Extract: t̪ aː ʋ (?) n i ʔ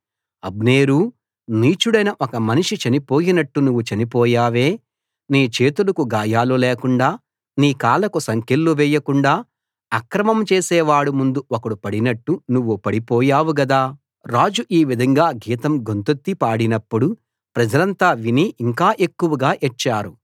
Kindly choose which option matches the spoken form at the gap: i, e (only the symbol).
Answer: i